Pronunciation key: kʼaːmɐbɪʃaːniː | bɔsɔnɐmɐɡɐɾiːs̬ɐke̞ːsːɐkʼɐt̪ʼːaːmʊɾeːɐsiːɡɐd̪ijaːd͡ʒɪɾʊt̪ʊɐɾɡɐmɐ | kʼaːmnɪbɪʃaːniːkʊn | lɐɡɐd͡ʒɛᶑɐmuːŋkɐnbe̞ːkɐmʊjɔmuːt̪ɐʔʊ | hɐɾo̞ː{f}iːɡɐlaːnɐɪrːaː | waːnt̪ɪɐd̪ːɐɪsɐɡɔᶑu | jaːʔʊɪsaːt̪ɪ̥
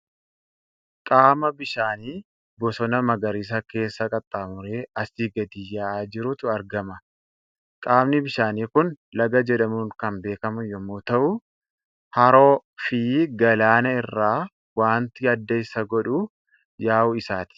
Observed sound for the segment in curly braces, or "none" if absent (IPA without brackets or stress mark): f